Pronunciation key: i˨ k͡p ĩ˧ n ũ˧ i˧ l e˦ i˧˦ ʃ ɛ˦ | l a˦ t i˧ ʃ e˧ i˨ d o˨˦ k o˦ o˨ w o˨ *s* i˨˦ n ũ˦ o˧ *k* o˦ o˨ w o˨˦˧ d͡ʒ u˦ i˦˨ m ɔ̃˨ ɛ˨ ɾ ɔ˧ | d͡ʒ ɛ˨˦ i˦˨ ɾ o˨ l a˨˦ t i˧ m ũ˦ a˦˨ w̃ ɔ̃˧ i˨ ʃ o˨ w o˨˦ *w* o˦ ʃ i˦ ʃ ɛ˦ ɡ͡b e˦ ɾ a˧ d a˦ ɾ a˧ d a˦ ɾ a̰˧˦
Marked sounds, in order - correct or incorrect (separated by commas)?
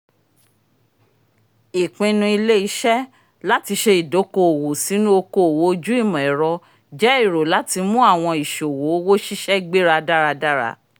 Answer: correct, correct, correct